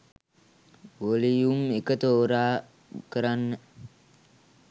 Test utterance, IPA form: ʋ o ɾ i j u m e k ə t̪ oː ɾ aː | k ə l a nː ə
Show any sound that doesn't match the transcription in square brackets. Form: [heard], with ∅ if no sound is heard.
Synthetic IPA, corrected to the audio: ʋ o [l] i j u m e k ə t̪ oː ɾ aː | k ə [ɾ] a nː ə